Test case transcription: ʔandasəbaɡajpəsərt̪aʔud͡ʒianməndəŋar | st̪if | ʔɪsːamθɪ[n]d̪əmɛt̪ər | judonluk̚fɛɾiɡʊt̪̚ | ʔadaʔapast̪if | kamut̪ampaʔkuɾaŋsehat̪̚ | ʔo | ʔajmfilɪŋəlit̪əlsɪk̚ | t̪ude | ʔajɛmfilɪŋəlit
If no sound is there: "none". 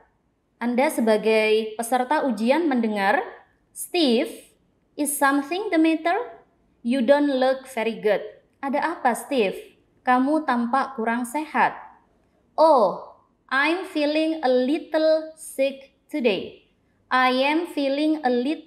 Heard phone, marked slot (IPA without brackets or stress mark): ŋ